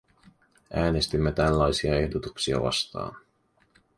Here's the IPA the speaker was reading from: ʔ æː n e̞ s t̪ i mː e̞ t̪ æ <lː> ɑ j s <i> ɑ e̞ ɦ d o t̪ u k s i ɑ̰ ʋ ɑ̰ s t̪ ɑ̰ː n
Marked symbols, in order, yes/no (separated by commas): yes, yes